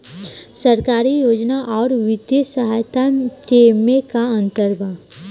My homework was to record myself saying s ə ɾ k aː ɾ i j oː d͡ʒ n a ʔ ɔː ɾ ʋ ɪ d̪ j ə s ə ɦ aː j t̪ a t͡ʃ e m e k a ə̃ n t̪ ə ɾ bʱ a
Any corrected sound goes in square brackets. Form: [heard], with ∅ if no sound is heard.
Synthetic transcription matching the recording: s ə ɾ k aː ɾ i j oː d͡ʒ n a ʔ ɔː ɾ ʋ ɪ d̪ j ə s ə ɦ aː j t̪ a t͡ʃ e m e k a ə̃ n t̪ ə ɾ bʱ a